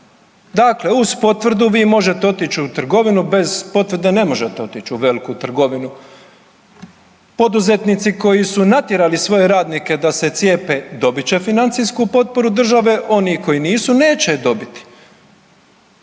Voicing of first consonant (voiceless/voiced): voiced